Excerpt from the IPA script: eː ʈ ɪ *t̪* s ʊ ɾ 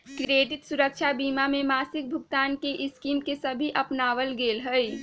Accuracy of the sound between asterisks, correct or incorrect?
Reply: correct